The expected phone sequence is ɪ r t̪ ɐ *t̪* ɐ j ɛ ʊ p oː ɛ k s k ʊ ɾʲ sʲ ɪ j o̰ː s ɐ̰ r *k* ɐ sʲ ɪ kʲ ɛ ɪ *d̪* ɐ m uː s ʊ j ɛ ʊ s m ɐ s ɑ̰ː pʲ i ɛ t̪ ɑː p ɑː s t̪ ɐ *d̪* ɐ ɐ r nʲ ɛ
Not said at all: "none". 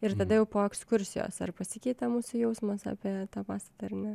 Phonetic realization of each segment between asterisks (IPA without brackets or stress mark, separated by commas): d̪, p, t̪, t̪